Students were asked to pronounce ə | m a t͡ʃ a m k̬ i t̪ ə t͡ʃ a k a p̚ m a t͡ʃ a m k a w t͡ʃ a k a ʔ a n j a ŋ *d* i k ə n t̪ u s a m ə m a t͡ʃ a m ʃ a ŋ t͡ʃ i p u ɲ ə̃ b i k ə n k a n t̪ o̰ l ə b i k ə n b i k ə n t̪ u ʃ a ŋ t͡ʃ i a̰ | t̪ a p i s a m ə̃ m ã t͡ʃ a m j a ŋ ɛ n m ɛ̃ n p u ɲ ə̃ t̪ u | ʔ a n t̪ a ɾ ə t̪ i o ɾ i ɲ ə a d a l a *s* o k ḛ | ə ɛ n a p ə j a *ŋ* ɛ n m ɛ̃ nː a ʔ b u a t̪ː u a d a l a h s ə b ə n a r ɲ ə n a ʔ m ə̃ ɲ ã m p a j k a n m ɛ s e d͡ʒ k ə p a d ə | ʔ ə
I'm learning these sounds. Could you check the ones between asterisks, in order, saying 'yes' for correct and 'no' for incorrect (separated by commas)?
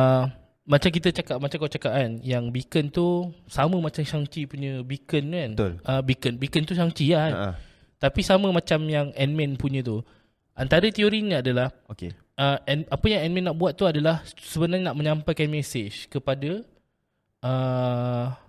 no, no, yes